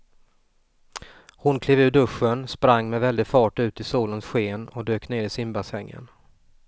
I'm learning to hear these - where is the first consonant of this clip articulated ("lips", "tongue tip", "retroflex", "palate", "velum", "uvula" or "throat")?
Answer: throat